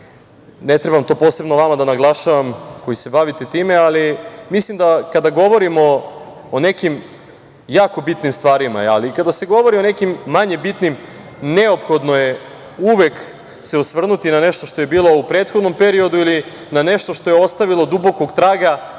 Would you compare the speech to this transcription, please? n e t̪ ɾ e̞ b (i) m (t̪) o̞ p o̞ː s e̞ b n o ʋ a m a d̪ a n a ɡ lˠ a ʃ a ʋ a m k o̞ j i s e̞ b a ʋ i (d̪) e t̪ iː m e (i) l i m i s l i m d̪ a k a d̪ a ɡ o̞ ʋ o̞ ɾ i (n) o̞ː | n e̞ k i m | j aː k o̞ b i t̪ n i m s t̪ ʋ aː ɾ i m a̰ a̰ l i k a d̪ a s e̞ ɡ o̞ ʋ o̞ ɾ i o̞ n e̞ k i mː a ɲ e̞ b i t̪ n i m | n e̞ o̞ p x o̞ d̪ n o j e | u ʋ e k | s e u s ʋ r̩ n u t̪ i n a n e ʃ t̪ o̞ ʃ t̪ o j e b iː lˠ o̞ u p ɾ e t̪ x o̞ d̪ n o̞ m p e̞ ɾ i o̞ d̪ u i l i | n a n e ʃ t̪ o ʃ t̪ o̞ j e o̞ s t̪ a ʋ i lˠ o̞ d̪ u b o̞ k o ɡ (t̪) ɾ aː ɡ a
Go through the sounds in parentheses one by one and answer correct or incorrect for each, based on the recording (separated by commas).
incorrect, correct, incorrect, incorrect, incorrect, correct